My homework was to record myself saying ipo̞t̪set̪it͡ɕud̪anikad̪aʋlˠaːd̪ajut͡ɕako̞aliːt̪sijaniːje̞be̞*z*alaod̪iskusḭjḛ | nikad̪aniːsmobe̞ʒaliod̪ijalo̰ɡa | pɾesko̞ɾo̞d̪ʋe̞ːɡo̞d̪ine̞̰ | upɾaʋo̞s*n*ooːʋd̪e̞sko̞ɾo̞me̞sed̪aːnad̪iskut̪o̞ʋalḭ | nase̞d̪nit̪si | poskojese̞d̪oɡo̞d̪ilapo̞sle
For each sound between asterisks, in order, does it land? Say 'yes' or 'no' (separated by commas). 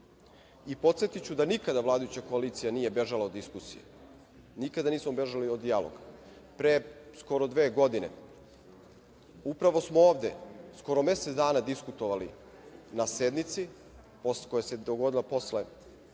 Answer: no, no